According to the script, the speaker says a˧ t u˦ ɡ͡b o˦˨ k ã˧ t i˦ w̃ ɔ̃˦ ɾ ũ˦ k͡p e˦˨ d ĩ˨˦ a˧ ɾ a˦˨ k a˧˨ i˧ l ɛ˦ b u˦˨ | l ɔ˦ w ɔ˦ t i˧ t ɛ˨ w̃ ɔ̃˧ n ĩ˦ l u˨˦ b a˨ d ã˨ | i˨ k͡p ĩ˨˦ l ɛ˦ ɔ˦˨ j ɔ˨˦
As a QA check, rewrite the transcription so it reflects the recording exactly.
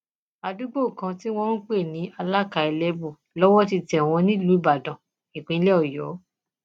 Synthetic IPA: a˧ d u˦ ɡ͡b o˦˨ k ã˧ t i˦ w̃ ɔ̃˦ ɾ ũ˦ k͡p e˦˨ n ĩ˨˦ a˧ l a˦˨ k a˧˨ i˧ l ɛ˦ b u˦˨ | l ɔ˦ w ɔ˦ t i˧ t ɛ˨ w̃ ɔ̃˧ n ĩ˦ l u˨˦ b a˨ d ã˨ | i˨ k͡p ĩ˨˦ l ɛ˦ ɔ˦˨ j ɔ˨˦

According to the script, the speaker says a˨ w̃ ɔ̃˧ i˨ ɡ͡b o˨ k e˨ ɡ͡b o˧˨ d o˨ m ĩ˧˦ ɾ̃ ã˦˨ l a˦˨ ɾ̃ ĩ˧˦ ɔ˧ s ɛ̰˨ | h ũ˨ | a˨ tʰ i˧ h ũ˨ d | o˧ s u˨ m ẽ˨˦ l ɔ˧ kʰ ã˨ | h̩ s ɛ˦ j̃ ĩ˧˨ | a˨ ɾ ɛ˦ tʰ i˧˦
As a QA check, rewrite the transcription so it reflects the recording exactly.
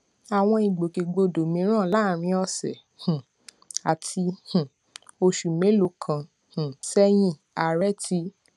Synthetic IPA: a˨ w̃ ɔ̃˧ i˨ ɡ͡b o˨ k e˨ ɡ͡b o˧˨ d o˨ m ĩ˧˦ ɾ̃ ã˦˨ l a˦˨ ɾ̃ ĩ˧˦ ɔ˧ s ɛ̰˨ | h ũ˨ | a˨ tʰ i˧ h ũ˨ | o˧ ʃ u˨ m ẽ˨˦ l o˧ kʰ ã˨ | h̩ s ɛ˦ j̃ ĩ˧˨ | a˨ ɾ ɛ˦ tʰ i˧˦

